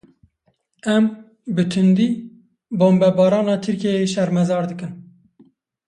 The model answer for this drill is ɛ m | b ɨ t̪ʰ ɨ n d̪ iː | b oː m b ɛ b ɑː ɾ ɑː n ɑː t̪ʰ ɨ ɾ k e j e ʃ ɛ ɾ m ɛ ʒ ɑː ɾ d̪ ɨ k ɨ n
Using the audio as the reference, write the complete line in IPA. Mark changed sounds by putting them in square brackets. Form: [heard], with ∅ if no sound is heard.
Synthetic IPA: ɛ m | b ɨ t̪ʰ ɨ n d̪ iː | b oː m b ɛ b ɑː ɾ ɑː n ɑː t̪ʰ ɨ ɾ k e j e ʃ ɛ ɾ m ɛ [z] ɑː ɾ d̪ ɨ k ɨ n